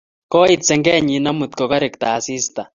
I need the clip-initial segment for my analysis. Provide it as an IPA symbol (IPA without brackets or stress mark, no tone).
k